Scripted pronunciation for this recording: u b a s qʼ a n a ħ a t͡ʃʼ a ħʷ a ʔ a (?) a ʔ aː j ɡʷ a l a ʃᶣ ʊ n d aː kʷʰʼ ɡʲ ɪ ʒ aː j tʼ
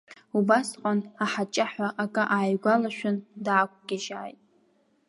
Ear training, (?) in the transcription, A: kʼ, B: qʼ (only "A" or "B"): A